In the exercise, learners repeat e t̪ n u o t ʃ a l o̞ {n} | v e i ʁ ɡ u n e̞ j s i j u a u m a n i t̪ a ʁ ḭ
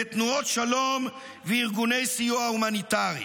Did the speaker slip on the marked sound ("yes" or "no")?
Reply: yes